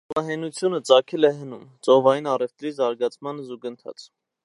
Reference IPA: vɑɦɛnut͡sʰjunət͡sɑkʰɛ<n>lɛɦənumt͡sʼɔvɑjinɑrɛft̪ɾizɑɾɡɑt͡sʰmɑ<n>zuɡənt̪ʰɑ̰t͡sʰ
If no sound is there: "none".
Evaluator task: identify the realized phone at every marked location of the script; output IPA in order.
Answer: none, n

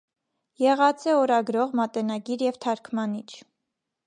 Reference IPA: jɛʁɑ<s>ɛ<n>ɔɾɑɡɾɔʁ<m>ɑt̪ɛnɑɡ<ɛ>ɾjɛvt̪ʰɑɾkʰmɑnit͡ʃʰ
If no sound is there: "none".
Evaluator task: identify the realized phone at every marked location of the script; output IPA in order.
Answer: t͡s, none, m, i

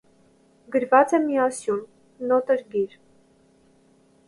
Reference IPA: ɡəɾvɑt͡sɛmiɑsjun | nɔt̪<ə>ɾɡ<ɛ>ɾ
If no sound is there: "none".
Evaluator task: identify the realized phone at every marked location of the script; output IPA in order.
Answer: ə, i

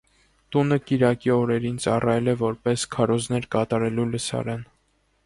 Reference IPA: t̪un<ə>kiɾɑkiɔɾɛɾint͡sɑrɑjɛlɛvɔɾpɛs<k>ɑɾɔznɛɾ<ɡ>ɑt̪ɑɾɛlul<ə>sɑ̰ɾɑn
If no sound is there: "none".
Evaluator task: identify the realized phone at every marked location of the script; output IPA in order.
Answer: ə, kʰ, k, ə

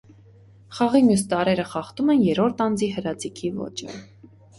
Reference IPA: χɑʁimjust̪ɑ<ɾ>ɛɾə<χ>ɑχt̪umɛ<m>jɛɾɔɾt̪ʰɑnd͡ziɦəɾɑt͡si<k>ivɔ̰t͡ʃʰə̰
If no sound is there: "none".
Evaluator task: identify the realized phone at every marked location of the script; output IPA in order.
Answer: ɾ, χ, n, kʰ

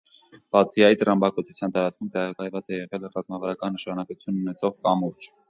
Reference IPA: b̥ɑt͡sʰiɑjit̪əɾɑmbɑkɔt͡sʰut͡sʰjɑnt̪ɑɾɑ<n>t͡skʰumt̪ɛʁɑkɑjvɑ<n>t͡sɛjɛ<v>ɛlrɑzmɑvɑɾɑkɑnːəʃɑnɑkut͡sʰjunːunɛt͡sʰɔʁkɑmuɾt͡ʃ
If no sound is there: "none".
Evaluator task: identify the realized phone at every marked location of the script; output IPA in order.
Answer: none, none, ʁ

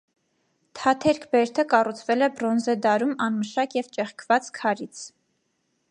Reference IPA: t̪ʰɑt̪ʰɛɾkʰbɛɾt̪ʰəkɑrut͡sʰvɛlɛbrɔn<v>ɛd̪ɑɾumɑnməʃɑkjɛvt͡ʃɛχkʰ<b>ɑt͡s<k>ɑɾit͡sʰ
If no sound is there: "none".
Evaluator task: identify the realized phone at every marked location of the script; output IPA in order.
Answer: z, v, kʰ

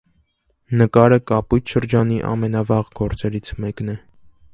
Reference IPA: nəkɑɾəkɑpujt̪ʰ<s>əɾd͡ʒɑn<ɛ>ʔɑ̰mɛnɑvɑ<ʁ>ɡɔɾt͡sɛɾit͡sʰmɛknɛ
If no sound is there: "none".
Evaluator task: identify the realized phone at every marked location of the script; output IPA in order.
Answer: ʃ, i, ʁ

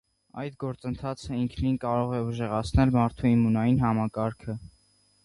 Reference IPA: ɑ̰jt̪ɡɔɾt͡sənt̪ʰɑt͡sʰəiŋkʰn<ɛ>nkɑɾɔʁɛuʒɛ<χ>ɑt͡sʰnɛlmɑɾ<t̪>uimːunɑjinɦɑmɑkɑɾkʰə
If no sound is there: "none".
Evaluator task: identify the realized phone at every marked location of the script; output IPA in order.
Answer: i, ʁ, t̪ʰ

